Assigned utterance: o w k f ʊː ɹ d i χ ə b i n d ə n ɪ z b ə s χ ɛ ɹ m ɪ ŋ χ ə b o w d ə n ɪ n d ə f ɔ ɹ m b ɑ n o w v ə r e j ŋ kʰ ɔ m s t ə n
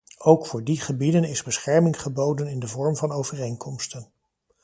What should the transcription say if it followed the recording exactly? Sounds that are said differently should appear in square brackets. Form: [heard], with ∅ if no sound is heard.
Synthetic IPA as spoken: o w k f ʊː ɹ d i χ ə b i [∅] d ə n ɪ z b ə s χ ɛ ɹ m ɪ ŋ χ ə b o w d ə n ɪ n d ə [v] ɔ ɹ m [v] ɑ n o w v ə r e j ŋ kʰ ɔ m s t ə n